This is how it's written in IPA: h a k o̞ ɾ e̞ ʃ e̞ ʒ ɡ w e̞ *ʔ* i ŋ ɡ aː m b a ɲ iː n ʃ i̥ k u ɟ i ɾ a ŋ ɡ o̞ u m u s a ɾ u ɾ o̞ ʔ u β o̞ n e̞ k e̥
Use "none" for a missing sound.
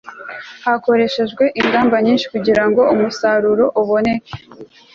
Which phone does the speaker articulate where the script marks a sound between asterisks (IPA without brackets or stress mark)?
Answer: ʔ